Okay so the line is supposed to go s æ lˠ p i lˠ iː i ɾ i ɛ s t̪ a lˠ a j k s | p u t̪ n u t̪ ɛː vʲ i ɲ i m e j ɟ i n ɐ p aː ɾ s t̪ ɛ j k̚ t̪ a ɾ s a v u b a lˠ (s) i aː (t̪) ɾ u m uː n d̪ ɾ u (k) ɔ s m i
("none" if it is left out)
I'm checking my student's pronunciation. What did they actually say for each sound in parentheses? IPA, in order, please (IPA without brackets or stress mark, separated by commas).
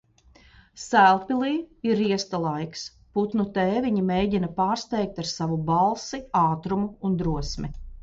s, t̪, none